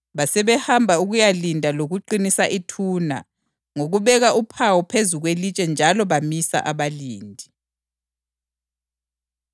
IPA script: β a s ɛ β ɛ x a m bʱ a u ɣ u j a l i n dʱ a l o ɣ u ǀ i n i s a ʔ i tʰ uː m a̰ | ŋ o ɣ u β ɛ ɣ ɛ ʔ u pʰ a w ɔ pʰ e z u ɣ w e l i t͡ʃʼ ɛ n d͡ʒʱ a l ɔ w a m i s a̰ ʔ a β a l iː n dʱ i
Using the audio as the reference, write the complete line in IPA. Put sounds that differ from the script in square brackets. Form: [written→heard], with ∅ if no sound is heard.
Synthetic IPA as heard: β a s ɛ β ɛ [x→h] a m bʱ a u ɣ u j a l i n dʱ a l o ɣ u [ǀ→ǃ] i n i s a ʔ i tʰ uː [m→n] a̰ | ŋ o ɣ u β ɛ ɣ [ɛ→a] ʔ u pʰ a w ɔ pʰ e z u ɣ w e l i t͡ʃʼ ɛ n d͡ʒʱ a l ɔ [w→β] a m i s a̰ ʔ a β a l iː n dʱ i